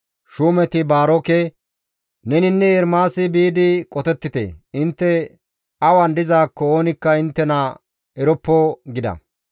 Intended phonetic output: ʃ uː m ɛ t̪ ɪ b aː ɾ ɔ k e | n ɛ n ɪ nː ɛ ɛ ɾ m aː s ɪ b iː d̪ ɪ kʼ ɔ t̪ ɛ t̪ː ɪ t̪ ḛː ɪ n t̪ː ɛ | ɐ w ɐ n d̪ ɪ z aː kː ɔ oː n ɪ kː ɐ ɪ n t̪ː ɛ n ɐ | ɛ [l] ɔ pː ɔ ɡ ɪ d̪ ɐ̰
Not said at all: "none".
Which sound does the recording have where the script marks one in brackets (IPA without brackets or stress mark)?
ɾ